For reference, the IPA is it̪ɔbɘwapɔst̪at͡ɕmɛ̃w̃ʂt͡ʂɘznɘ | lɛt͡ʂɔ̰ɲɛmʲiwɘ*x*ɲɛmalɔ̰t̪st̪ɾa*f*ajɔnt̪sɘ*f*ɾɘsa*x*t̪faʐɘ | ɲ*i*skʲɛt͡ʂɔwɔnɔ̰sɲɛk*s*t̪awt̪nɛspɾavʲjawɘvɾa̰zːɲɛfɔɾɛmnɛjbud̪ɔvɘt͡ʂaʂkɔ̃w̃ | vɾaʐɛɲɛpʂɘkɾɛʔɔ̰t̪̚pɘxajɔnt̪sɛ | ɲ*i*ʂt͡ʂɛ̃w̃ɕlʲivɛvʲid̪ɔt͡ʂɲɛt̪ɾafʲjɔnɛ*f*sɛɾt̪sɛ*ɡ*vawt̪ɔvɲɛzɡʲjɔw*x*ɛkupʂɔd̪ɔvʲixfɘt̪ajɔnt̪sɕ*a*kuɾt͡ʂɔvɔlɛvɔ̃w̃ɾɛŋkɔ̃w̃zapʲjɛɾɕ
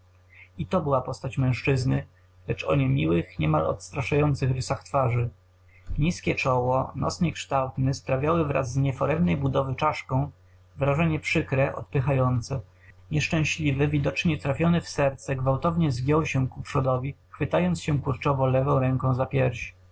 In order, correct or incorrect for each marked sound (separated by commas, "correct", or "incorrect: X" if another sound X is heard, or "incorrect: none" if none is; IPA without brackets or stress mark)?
correct, incorrect: ʂ, incorrect: x, correct, correct, incorrect: ʂ, incorrect: ɛ, correct, correct, incorrect: ɕ, incorrect: ɛ